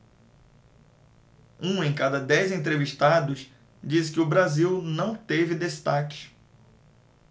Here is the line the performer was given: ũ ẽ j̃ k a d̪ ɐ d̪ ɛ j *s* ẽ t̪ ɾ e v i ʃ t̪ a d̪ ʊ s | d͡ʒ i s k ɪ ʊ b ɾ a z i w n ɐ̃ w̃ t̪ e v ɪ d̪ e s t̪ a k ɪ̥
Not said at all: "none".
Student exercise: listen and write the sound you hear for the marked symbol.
z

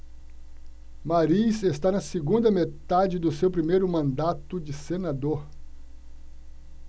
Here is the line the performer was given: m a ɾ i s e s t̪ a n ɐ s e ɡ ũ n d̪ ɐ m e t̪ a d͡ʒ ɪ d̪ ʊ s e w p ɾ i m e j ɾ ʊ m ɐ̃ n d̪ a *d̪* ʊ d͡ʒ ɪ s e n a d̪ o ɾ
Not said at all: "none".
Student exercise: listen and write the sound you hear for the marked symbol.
t̪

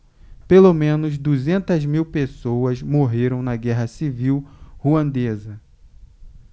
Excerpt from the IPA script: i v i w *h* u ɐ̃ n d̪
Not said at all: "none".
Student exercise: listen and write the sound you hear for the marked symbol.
h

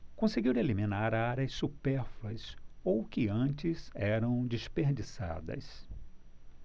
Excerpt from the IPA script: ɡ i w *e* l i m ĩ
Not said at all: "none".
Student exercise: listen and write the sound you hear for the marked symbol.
e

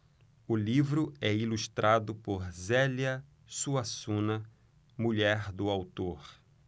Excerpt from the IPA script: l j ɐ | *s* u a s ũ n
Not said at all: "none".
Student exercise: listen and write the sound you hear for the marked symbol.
s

